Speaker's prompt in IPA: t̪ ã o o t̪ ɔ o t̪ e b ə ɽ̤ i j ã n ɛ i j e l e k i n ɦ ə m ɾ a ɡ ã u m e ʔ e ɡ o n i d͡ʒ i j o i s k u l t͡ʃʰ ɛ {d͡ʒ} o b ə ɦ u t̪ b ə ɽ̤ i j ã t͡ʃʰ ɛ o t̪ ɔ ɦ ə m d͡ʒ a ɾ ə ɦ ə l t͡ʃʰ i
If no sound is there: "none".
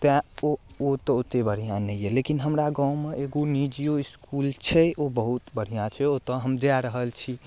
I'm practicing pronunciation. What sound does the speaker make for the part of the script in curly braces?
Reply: none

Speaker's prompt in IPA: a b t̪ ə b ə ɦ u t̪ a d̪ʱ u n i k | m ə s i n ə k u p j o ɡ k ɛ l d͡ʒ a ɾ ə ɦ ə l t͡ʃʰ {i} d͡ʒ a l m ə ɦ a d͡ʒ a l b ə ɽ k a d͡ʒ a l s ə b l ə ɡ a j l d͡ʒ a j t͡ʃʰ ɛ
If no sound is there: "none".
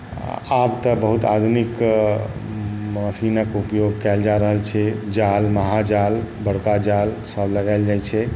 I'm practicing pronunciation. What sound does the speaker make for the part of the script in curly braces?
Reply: ɛ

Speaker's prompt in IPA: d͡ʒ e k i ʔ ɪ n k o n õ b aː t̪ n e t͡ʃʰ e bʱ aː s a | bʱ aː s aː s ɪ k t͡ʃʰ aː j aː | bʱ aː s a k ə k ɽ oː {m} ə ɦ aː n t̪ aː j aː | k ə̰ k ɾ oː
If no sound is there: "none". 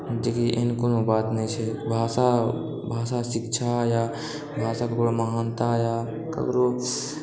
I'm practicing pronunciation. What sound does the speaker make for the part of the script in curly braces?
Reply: m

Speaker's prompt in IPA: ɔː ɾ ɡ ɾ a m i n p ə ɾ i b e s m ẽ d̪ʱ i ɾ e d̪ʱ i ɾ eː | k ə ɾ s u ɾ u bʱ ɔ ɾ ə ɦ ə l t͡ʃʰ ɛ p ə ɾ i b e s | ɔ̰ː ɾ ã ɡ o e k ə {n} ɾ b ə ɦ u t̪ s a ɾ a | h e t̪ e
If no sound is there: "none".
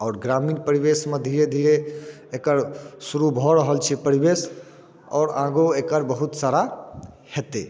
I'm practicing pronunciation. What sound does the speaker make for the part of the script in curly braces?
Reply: none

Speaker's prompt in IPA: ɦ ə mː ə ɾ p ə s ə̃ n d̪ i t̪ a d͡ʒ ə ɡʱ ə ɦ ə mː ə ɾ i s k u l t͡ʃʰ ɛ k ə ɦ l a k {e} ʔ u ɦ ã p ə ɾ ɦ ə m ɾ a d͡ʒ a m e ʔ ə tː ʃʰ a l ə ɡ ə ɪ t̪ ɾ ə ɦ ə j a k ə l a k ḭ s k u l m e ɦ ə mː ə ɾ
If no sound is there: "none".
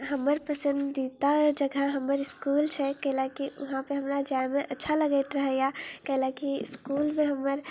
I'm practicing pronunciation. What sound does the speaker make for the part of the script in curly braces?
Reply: i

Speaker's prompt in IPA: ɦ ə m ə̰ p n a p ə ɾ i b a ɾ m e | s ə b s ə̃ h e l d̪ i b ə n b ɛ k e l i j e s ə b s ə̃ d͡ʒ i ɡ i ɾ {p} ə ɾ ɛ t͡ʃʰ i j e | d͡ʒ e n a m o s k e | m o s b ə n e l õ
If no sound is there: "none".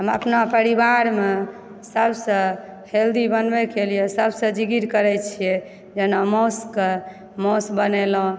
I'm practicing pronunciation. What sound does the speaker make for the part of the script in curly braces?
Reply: k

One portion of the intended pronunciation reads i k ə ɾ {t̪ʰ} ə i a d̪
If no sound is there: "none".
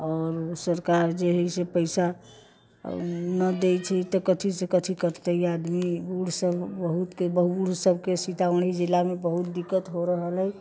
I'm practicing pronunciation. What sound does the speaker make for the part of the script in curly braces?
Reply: t̪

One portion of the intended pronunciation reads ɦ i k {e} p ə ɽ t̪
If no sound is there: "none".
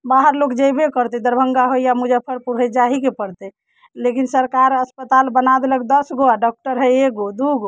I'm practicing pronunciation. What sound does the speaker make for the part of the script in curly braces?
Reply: e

